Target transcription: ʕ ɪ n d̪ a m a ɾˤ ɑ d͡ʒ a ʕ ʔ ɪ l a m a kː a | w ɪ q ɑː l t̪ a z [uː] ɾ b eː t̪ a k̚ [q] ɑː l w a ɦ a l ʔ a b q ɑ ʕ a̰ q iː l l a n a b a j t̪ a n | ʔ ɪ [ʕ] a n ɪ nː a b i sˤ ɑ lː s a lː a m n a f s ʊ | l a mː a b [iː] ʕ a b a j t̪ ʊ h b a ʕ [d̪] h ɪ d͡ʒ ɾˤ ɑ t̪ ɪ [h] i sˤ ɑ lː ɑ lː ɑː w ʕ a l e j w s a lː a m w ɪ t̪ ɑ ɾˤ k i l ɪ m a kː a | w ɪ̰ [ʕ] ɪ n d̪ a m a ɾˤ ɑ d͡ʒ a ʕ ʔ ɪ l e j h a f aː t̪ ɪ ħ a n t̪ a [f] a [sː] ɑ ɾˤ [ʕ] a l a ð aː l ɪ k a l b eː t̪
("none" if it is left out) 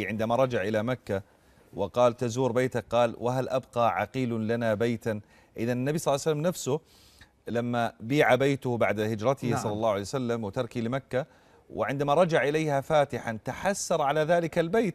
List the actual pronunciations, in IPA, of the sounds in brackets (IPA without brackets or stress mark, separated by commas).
uː, q, ð, iː, d̪, h, ʕ, ħ, sː, ʕ